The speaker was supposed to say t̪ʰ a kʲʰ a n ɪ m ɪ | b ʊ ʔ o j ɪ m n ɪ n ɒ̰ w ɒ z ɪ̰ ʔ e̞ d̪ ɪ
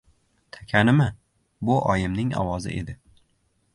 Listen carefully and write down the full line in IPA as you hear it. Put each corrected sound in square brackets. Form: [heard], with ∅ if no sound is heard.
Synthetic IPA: t̪ʰ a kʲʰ a n ɪ m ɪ | b ʊ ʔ [ɒ] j ɪ m n ɪ [ŋ] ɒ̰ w ɒ z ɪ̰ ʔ e̞ d̪ ɪ